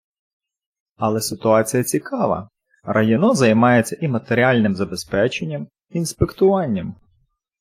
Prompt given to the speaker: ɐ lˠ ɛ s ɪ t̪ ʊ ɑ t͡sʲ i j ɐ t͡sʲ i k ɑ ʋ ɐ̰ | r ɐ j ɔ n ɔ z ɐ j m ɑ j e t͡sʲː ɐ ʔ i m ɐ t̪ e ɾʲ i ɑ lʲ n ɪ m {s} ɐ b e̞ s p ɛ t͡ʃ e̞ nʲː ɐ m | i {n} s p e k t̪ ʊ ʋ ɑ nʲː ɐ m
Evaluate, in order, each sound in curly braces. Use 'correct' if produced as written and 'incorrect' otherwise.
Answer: incorrect: z, correct

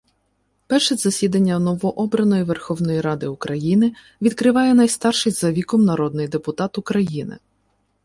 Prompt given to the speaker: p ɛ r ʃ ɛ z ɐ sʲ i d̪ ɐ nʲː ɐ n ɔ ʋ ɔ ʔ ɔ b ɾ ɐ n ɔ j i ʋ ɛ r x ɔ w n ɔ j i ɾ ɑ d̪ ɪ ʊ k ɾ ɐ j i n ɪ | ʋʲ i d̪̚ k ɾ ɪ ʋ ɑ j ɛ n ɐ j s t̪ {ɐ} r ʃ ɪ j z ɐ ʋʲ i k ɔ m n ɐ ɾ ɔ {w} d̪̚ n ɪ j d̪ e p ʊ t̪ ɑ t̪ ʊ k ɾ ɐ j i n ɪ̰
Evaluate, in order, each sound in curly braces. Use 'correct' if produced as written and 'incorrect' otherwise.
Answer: incorrect: ɑ, incorrect: none

